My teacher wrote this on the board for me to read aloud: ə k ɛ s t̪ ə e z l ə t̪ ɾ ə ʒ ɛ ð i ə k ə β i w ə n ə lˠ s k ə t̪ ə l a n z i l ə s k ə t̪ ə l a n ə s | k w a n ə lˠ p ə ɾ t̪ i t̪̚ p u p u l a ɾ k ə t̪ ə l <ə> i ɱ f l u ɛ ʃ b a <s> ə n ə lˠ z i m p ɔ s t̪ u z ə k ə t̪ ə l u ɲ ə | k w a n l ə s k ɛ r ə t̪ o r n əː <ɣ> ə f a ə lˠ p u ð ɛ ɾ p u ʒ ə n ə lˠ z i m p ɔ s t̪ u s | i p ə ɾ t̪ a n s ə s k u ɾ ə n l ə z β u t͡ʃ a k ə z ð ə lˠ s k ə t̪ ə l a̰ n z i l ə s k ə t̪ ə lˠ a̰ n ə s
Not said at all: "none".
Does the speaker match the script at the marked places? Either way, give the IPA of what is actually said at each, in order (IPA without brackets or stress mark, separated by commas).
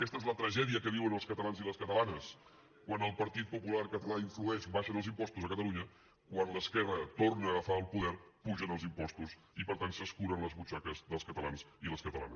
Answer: a, ʃ, ɣ